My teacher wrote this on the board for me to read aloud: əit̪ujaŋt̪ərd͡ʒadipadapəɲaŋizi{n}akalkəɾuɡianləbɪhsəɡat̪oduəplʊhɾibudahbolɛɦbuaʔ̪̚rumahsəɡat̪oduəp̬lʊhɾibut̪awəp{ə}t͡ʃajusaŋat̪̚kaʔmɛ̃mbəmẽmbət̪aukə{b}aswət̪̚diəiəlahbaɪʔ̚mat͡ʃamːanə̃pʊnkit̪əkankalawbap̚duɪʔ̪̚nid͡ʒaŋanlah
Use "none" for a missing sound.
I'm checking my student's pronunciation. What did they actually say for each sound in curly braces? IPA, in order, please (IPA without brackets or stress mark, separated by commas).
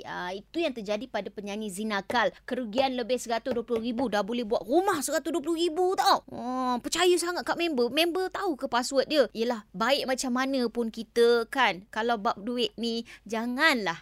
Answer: n, ə, p